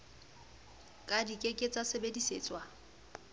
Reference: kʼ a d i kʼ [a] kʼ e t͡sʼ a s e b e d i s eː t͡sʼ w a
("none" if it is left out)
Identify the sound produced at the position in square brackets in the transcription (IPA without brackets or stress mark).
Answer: e